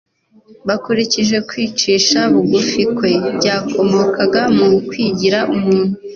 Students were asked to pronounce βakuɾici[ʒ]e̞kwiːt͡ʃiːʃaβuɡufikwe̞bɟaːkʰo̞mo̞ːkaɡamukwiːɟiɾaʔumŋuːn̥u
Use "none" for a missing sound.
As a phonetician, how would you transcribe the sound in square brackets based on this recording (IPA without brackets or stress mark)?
ʒ